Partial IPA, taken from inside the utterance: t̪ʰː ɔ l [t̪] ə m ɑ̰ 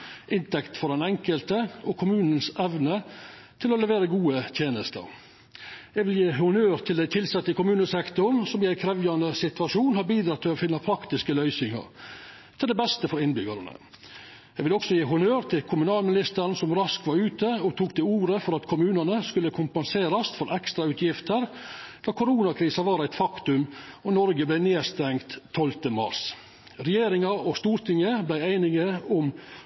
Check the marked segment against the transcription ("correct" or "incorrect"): correct